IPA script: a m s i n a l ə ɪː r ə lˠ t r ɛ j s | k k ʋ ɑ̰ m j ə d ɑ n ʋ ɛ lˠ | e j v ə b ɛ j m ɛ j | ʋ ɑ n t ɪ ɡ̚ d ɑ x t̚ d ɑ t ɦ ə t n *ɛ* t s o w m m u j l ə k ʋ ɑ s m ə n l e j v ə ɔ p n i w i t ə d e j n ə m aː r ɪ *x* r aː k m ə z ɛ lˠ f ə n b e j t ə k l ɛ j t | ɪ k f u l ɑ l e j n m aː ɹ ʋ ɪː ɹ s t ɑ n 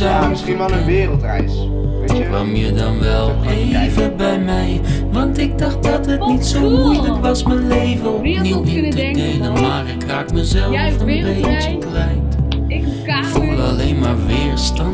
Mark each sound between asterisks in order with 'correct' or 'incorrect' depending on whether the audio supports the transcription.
incorrect: i, incorrect: k

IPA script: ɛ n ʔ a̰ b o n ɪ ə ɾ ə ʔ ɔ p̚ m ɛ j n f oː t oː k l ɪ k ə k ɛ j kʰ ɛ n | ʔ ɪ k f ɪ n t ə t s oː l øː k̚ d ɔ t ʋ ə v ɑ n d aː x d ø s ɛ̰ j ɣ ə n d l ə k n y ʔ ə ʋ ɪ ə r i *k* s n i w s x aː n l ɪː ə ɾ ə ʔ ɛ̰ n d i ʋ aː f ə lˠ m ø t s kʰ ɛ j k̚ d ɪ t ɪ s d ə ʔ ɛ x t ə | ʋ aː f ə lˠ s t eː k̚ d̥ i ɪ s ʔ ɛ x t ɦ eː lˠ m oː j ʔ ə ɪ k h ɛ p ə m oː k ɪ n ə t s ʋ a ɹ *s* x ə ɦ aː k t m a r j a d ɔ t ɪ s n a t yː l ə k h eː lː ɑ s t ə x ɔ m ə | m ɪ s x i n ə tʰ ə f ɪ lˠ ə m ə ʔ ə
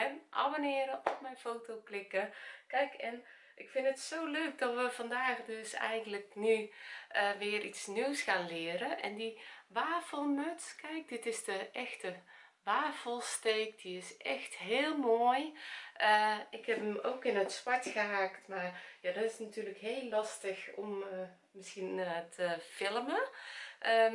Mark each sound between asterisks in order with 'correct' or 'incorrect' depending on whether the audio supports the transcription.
incorrect: t, incorrect: t

